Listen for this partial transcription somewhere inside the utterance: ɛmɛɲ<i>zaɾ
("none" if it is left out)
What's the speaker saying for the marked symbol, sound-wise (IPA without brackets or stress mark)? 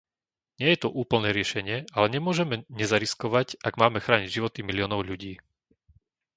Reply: ɛ